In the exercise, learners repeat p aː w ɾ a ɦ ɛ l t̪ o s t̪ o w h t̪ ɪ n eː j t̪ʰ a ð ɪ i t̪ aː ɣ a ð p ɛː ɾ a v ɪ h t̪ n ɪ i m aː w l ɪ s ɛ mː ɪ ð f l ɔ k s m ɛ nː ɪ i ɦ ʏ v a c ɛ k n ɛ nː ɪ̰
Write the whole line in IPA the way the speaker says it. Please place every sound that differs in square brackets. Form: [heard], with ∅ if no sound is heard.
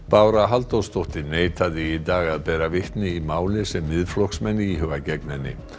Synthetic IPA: p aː w ɾ a ɦ [a] l t̪ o s t̪ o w h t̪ ɪ n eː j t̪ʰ a ð ɪ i t̪ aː ɣ a ð p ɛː ɾ a v ɪ h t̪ n ɪ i m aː w l ɪ s ɛ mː ɪ ð f l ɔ k s m ɛ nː ɪ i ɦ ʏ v a c ɛ k n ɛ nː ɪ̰